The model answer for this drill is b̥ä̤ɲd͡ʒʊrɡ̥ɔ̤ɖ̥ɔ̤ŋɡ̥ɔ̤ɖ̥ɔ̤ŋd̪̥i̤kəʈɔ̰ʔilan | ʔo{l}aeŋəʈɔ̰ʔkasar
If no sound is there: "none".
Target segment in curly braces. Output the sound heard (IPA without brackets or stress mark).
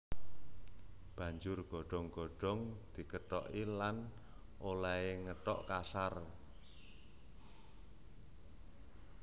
l